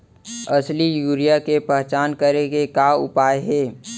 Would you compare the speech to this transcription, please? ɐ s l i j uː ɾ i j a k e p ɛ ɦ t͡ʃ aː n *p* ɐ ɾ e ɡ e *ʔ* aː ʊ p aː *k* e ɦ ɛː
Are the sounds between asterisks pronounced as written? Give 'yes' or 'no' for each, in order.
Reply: no, no, no

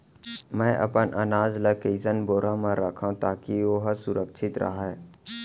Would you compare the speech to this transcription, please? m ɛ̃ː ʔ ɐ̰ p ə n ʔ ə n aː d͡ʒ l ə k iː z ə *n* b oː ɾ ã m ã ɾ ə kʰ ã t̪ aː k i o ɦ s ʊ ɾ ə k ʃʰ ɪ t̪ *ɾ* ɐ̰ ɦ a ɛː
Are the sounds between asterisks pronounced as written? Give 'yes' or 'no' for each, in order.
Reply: yes, yes

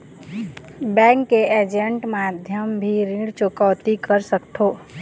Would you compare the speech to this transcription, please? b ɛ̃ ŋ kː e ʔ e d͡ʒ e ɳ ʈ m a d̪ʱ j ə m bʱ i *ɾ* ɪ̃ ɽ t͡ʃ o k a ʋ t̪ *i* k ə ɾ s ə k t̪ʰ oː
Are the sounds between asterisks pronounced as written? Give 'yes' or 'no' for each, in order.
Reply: yes, yes

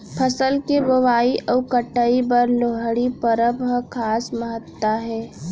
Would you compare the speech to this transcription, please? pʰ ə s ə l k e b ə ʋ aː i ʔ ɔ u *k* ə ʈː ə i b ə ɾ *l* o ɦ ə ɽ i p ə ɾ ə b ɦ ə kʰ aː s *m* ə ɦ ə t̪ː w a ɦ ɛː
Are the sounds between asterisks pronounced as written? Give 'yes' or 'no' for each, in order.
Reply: yes, yes, yes

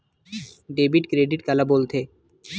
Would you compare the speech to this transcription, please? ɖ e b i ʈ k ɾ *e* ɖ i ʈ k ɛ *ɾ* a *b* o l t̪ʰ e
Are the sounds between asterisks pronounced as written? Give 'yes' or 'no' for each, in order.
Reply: yes, no, yes

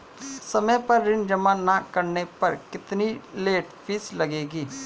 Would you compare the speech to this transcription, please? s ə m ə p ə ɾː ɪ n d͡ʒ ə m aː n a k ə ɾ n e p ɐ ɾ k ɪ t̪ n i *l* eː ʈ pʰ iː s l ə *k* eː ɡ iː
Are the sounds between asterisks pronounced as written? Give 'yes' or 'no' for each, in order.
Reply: yes, no

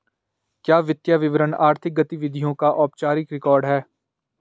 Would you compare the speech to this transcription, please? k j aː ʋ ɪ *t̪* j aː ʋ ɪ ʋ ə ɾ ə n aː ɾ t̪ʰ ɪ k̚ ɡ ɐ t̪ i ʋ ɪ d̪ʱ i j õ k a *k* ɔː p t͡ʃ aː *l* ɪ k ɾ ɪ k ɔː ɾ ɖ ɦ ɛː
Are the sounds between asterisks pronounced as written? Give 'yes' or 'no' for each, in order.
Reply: yes, no, no

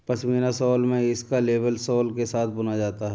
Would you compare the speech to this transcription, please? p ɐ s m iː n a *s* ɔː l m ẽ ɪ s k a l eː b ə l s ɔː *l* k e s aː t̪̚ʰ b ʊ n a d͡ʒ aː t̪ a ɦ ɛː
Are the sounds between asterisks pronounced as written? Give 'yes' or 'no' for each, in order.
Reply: yes, yes

